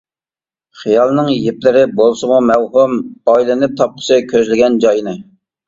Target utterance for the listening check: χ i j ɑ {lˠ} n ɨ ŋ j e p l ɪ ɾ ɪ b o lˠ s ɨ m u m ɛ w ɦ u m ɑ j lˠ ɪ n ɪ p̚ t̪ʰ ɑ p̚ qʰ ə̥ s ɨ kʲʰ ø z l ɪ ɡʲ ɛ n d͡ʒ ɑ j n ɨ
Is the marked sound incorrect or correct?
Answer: correct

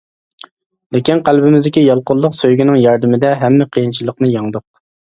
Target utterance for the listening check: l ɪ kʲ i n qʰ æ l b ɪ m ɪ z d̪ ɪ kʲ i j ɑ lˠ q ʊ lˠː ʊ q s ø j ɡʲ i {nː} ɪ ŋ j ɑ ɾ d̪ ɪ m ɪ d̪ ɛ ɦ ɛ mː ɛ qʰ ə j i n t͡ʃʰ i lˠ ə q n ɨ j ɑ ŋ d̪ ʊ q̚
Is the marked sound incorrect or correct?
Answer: incorrect: n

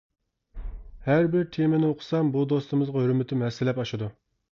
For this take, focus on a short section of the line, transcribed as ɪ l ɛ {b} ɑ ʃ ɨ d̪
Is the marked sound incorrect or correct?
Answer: incorrect: p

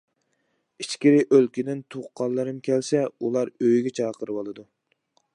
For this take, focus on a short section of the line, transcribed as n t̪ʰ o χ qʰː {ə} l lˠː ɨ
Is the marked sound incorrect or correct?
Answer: incorrect: ɑ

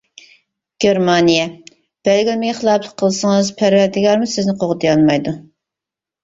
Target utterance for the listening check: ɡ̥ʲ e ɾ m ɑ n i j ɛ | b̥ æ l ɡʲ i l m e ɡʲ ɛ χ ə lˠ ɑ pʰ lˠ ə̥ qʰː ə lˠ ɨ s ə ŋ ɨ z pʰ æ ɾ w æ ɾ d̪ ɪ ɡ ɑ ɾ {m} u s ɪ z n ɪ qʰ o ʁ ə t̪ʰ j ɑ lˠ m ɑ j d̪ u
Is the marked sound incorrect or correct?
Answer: correct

